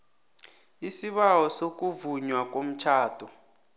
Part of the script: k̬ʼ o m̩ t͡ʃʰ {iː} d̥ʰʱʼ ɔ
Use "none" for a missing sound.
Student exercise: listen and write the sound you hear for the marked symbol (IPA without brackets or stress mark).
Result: aː